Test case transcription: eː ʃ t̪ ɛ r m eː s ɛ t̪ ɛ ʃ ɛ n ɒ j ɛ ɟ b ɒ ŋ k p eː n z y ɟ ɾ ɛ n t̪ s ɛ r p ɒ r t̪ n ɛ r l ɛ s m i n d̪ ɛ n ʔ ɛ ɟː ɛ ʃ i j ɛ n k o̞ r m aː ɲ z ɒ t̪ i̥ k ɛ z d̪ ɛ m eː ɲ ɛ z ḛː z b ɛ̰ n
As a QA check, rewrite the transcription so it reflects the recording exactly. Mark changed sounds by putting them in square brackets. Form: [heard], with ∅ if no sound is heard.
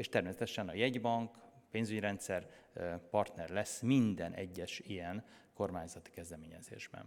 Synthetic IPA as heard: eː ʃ t̪ ɛ r m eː s ɛ t̪ ɛ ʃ ɛ n ɒ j ɛ ɟ b ɒ ŋ k p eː n z y ɟ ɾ ɛ n t̪ s ɛ r p ɒ r t̪ n ɛ r l ɛ s m i n d̪ ɛ n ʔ ɛ ɟː ɛ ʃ i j ɛ n k o̞ r m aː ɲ z ɒ t̪ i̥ k ɛ z d̪ ɛ m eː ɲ ɛ z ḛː [ʒ] b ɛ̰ n